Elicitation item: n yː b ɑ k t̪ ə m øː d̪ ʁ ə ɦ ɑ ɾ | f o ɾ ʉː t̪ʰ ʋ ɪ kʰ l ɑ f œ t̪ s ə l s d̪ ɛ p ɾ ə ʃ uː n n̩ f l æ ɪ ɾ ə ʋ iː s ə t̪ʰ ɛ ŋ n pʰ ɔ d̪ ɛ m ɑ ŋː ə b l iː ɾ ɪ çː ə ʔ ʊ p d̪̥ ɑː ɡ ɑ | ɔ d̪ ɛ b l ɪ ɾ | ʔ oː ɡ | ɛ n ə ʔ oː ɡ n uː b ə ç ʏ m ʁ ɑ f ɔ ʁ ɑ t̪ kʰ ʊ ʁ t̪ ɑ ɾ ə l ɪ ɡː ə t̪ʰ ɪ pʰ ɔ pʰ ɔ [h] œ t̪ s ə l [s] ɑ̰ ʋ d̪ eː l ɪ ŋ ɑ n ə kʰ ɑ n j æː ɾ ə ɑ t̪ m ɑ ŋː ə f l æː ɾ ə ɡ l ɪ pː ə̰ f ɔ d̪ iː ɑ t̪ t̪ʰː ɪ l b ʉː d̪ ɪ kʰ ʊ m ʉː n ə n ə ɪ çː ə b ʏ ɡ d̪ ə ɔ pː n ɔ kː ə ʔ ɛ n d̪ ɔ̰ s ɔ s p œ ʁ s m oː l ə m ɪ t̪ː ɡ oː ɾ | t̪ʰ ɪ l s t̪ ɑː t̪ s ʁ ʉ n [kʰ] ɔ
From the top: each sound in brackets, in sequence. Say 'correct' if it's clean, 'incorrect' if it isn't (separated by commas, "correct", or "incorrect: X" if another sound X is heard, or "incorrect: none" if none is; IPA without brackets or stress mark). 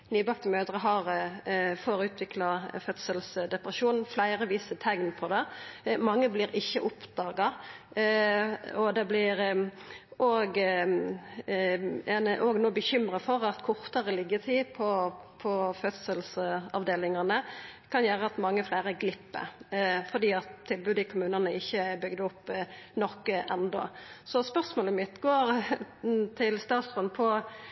incorrect: f, correct, incorrect: pʰ